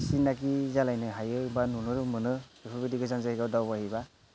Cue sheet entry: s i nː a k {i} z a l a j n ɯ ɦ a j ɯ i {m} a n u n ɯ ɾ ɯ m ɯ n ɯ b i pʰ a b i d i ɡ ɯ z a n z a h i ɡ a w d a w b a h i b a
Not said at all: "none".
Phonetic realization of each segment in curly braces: i, b

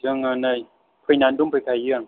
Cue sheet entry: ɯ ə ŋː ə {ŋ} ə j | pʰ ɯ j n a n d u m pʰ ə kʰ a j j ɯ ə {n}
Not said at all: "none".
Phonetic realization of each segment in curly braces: n, ŋ

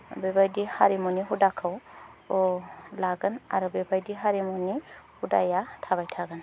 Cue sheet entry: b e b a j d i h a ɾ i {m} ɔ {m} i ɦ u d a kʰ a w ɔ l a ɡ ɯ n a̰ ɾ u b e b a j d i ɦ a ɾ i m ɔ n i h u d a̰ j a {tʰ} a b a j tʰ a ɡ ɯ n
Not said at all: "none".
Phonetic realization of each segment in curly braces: m, n, tʰ

